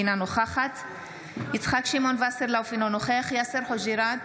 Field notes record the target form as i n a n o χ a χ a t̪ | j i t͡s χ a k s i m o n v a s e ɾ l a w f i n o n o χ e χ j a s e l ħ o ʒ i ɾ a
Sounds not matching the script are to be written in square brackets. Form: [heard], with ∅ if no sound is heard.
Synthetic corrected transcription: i n a n o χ a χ a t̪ | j i t͡s χ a k [ʃ] i m o n v a s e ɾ l a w f i n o n o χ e χ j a s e [ɾ] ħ o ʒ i ɾ a